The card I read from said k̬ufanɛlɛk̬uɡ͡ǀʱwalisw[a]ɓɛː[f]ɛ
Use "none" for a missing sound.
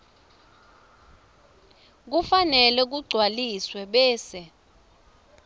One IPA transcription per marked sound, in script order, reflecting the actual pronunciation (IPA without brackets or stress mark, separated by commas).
ɛ, s